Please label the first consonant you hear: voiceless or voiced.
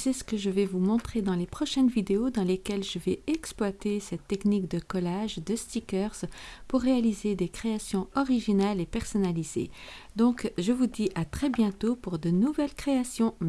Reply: voiceless